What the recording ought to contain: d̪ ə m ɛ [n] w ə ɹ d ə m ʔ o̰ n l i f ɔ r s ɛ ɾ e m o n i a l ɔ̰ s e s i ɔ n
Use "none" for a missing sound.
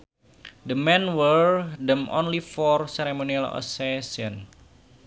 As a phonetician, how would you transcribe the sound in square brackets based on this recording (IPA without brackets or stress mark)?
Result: n